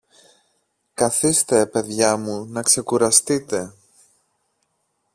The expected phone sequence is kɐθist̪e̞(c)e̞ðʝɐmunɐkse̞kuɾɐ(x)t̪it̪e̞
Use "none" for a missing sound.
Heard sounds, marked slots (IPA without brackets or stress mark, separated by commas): p, s